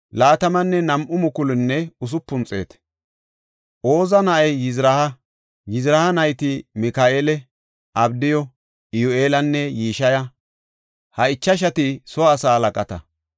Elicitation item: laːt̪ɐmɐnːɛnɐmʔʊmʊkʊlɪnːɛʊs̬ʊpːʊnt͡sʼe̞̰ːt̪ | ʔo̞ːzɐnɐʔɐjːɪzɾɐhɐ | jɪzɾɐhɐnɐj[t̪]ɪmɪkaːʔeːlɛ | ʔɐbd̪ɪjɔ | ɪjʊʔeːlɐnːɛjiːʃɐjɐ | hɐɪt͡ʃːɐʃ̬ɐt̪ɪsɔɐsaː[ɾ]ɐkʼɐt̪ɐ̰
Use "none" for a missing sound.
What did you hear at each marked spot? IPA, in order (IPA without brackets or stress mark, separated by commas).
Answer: t̪, l